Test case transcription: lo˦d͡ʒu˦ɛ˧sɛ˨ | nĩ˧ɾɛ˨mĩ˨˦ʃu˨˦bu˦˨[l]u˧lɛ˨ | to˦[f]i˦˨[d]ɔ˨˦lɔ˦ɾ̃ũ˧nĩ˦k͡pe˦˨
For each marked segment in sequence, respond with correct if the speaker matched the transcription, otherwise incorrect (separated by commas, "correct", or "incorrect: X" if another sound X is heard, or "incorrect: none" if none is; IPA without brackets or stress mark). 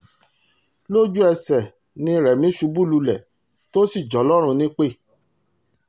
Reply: correct, incorrect: s, incorrect: d͡ʒ